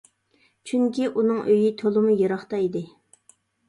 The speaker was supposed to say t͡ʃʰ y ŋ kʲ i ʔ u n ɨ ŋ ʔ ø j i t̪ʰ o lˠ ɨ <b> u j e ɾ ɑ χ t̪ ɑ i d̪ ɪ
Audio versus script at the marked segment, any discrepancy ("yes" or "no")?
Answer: yes